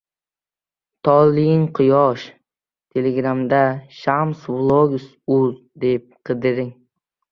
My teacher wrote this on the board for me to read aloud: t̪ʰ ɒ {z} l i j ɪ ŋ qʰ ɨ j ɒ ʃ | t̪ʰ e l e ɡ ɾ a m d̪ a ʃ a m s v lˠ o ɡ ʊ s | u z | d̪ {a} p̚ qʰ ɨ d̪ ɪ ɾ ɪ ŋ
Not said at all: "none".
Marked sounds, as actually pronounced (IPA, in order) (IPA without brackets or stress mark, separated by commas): none, e